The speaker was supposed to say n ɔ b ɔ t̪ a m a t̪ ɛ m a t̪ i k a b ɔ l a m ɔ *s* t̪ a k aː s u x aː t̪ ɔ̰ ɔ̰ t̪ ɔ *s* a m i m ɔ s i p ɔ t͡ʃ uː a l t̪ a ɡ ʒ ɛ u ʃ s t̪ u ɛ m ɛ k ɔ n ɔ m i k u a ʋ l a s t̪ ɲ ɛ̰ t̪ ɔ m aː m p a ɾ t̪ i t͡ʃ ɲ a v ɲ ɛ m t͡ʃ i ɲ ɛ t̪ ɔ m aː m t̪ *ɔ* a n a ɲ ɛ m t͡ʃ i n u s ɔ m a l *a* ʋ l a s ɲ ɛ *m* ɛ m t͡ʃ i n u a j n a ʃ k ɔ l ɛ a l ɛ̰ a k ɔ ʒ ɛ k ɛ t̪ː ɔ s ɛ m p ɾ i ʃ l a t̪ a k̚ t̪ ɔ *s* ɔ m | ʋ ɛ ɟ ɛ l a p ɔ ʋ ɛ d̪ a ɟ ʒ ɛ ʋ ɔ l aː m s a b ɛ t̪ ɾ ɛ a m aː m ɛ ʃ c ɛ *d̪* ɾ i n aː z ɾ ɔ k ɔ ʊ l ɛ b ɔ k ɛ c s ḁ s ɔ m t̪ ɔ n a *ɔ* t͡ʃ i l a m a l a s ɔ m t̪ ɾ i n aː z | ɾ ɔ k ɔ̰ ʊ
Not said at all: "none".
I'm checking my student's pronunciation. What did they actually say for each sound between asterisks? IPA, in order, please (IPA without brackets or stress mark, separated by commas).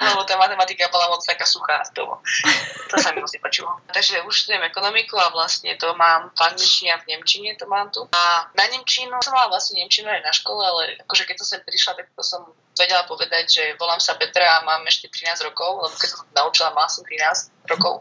t͡s, s, u, a, ɲ, s, t̪, u